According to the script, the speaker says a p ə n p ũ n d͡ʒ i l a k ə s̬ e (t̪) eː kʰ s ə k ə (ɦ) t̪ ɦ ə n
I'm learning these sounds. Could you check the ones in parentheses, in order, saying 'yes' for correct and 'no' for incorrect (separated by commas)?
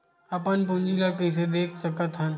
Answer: no, no